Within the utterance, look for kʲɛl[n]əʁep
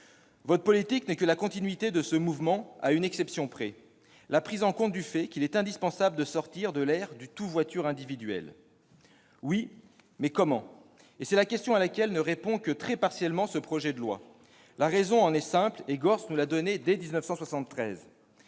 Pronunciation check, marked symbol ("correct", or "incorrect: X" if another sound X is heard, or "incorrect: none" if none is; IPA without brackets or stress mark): correct